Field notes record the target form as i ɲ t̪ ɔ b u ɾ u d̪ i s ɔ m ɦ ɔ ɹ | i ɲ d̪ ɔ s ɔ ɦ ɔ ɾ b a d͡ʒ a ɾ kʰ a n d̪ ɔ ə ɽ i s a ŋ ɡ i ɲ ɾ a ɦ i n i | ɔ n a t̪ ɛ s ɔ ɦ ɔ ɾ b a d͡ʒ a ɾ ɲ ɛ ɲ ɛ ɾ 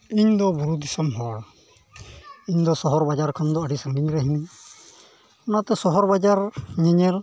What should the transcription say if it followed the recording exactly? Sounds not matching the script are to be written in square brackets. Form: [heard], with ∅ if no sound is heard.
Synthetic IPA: i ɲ [d̪] ɔ b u ɾ u d̪ i s ɔ m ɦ ɔ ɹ | i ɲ d̪ ɔ s ɔ ɦ ɔ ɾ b a d͡ʒ a ɾ kʰ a n d̪ ɔ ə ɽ i s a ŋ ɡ i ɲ ɾ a ɦ i n i | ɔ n a t̪ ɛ s ɔ ɦ ɔ ɾ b a d͡ʒ a ɾ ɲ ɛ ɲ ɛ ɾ

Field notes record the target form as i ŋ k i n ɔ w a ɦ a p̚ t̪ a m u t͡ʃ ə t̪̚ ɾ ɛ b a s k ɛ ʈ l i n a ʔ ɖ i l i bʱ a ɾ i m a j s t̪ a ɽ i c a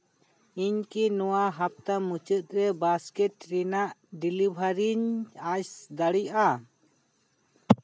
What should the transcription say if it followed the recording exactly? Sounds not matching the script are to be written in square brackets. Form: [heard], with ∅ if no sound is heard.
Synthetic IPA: i [ɲ] k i n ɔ w a ɦ a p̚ t̪ a m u t͡ʃ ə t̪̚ ɾ ɛ b a s k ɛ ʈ [ɾ] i n a ʔ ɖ i l i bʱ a ɾ i [ɲ] a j s [d̪] a ɽ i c a

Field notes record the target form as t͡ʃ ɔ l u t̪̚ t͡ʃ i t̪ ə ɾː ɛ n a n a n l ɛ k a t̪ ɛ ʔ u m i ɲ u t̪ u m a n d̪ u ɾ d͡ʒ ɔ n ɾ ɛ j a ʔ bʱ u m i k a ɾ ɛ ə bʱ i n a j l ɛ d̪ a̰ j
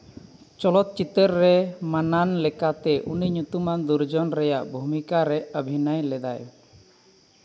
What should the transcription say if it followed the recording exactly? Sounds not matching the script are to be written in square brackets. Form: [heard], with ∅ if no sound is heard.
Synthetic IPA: t͡ʃ ɔ l [ɔ] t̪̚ t͡ʃ i t̪ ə ɾː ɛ [m] a n a n l ɛ k a t̪ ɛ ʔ u [n] i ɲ u t̪ u m a n d̪ u ɾ d͡ʒ ɔ n ɾ ɛ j a ʔ bʱ u m i k a ɾ ɛ ə bʱ i n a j l ɛ d̪ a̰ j

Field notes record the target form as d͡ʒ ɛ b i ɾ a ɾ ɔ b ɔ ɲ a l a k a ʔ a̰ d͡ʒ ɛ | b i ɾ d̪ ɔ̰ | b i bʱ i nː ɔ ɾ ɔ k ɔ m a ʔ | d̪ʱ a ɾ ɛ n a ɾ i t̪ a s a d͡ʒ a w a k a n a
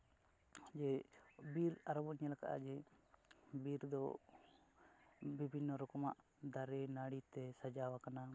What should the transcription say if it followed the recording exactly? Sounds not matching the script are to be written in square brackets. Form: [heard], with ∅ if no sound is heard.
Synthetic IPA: d͡ʒ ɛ b i ɾ a ɾ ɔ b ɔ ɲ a l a k a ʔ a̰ d͡ʒ ɛ | b i ɾ d̪ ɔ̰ | b i bʱ i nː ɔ ɾ ɔ k ɔ m a ʔ | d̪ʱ a ɾ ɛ n a [ɽ] i t̪ [ɛ] s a d͡ʒ a w a k a n a

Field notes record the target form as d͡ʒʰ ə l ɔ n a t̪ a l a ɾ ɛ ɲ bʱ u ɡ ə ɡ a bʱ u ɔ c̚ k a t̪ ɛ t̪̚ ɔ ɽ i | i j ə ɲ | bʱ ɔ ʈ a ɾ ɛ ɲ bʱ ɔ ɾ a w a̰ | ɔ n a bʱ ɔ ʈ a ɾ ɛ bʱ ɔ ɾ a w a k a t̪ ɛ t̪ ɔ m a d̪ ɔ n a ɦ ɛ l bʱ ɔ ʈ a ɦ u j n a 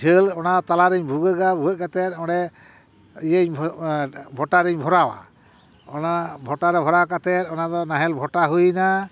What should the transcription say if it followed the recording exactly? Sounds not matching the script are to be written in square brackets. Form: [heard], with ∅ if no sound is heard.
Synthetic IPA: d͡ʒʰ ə l ɔ n a t̪ a l a ɾ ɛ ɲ bʱ u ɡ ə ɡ a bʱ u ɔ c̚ k a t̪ ɛ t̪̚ ɔ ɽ [ɛ] | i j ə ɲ | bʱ ɔ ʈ a ɾ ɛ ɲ bʱ ɔ ɾ a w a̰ | ɔ n a bʱ ɔ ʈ a ɾ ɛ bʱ ɔ ɾ a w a k a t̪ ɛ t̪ ɔ [n] a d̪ ɔ n a ɦ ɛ l bʱ ɔ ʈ a ɦ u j n a

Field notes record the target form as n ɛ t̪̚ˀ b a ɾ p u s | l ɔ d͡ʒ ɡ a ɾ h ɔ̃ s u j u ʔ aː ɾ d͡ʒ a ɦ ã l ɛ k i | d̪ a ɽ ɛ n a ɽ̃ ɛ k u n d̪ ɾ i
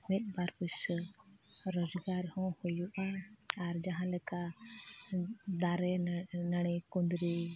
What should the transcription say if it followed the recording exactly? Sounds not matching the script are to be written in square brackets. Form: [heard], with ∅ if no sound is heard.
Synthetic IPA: [m] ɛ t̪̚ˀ b a ɾ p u s | [ɾ] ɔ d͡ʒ ɡ a ɾ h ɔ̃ [h] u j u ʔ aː ɾ d͡ʒ a ɦ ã l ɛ k [a] | d̪ a [ɾ] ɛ n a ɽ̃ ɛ k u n d̪ ɾ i

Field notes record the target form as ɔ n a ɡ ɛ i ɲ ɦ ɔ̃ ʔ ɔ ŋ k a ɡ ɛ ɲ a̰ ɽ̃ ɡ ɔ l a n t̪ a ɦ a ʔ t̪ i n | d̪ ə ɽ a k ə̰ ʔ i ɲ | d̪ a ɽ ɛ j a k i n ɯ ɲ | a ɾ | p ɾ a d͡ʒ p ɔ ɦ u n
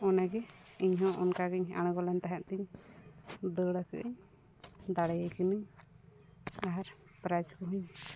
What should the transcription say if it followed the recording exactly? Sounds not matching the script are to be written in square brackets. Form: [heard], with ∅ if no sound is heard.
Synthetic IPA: ɔ n a ɡ ɛ i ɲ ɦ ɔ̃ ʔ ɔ [n] k a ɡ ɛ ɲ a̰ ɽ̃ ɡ ɔ l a n t̪ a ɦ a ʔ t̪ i [ɲ] | d̪ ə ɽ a k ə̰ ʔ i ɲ | d̪ a ɽ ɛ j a k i n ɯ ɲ | a ɾ | p ɾ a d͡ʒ [k] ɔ ɦ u [ɲ]

